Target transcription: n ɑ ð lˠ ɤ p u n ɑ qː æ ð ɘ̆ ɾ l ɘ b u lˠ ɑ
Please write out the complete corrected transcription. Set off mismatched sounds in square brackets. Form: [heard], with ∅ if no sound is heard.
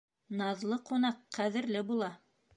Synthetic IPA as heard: n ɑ ð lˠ ɤ [q] u n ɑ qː æ ð ɘ̆ ɾ l ɘ b u lˠ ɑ